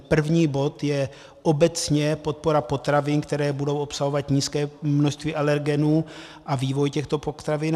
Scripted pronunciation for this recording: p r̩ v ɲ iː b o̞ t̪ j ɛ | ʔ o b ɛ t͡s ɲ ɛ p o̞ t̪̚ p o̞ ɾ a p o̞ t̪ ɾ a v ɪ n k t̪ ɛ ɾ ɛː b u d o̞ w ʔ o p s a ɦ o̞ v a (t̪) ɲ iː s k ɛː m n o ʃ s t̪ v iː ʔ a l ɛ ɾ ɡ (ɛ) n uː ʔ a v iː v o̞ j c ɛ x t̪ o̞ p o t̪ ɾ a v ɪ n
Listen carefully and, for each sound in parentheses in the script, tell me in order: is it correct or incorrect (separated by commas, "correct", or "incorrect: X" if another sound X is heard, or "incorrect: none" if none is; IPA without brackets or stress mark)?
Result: correct, correct